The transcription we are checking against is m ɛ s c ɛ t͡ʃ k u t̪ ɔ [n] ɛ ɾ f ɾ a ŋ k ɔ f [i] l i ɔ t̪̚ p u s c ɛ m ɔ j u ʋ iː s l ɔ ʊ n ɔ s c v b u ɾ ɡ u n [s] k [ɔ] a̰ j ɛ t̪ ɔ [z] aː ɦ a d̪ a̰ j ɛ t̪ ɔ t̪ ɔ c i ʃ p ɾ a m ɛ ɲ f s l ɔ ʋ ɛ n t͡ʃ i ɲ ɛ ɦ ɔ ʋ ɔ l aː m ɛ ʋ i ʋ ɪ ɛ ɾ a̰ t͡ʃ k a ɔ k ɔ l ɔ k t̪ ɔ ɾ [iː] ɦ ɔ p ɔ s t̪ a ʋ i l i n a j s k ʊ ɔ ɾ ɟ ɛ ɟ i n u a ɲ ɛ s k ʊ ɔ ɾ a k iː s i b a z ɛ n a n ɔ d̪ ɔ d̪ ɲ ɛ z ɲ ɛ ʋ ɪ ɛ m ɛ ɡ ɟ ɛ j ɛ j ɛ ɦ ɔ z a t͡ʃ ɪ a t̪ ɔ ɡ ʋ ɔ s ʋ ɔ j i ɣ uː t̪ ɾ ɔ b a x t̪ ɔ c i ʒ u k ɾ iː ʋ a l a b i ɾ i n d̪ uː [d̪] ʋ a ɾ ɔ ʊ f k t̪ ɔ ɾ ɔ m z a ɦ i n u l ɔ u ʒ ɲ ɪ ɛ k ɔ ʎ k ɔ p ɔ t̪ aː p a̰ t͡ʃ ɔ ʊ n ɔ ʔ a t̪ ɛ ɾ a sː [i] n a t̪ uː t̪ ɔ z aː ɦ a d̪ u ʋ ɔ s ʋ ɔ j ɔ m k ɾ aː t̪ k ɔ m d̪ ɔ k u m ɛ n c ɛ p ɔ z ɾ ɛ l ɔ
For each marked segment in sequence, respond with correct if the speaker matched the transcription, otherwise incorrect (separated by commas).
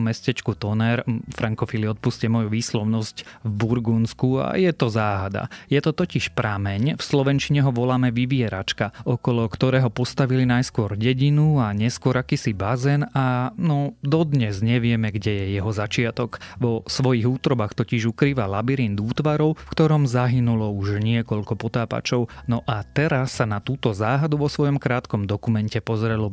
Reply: correct, correct, correct, incorrect, correct, incorrect, incorrect, incorrect